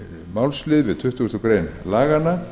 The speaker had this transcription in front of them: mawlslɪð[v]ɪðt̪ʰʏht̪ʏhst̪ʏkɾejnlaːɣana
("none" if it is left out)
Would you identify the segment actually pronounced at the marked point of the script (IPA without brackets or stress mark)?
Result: v